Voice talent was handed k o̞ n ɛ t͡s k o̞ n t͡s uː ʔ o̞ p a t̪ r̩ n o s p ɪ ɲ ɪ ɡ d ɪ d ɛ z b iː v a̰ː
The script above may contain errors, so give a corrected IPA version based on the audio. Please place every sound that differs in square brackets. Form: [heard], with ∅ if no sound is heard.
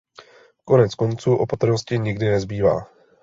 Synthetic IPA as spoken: k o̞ n ɛ t͡s k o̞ n t͡s uː ʔ o̞ p a t̪ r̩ n o s [c] ɪ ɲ ɪ ɡ d ɪ [n] ɛ z b iː v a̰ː